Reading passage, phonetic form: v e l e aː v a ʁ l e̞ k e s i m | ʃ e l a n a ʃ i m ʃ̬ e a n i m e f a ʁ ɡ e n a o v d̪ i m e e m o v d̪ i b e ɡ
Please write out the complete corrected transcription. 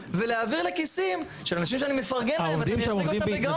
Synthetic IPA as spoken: v e l e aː v i ʁ l e̞ k i s i m | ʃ e l a n a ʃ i m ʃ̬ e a n i m e f a ʁ ɡ e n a o v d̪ i m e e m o v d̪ i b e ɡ